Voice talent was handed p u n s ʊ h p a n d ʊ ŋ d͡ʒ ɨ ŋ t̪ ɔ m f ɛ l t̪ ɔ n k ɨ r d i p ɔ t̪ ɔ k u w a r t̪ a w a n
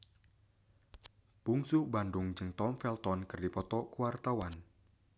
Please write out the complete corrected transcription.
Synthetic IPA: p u ŋ s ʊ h b a n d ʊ ŋ d͡ʒ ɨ ŋ t̪ ɔ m f ɛ l t̪ ɔ n k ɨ r d i p ɔ t̪ ɔ k u w a r t̪ a w a n